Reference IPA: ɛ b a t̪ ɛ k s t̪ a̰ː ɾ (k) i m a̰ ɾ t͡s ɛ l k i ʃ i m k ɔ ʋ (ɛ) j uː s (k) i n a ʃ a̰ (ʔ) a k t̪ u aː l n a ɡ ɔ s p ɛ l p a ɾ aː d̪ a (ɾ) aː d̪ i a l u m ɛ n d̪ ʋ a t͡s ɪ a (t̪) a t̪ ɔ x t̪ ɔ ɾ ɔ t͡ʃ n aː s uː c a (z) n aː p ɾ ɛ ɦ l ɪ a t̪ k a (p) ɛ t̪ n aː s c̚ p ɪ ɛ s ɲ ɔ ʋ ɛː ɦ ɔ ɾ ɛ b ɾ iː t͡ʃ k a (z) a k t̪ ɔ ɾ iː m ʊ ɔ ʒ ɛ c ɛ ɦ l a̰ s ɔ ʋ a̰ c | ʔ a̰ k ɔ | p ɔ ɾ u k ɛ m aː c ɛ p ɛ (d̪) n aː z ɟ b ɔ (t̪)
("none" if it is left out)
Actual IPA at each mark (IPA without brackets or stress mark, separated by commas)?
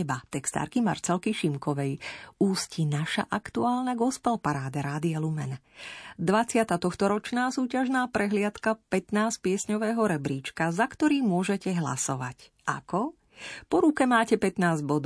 k, ɛ, c, ʔ, ɾ, t̪, ʒ, p, z, t̪, d̪